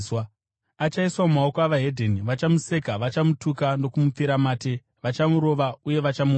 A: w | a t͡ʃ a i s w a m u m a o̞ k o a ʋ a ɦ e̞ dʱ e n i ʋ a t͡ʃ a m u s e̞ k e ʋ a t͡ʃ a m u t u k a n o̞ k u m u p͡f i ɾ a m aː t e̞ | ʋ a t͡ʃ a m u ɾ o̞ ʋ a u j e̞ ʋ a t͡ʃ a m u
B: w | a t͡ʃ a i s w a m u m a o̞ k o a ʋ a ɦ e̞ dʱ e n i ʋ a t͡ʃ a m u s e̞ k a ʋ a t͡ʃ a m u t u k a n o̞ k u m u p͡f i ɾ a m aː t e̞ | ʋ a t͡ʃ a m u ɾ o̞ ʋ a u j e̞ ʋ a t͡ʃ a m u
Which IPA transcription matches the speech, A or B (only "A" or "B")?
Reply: B